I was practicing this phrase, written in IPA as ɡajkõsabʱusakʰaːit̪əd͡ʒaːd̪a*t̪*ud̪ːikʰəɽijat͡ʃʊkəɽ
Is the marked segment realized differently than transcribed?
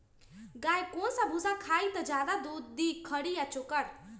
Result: yes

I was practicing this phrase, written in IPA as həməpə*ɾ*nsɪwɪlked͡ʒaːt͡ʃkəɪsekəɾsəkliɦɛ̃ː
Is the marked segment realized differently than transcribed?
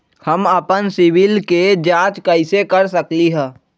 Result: yes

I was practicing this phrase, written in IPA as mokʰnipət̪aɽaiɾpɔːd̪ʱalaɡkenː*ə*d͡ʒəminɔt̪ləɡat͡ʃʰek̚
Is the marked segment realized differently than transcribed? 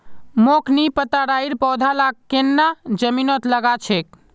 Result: yes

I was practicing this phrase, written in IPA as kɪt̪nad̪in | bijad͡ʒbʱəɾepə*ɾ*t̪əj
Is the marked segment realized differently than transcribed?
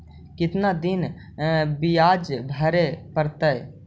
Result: no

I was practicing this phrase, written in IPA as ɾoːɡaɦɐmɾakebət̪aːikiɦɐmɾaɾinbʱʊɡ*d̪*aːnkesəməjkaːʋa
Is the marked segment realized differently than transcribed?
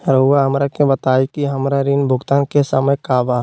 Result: yes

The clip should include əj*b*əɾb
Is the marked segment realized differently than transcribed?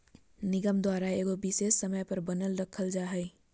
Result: yes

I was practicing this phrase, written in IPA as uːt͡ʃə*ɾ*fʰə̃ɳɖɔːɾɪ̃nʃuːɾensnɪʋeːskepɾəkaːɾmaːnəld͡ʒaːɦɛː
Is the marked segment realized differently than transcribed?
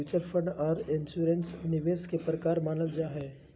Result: no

